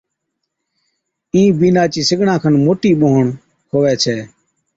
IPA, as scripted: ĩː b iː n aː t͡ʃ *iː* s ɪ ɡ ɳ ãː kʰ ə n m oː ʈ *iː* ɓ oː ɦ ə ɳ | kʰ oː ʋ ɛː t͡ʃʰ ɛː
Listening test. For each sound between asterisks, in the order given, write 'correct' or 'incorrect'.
correct, correct

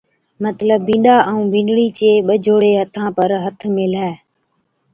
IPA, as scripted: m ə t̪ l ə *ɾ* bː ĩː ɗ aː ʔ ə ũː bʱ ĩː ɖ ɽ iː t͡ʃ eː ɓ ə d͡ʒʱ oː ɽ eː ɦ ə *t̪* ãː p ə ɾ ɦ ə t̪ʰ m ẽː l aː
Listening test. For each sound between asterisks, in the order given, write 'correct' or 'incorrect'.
incorrect: none, incorrect: t̪ʰ

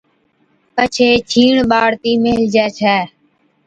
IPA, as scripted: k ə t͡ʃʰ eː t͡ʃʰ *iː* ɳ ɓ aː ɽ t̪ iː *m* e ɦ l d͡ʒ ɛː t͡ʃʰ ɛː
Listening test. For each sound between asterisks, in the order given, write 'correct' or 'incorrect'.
correct, correct

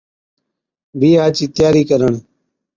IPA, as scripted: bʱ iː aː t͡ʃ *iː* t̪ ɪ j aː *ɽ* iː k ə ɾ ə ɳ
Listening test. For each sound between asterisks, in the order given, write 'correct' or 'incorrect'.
correct, incorrect: ɾ

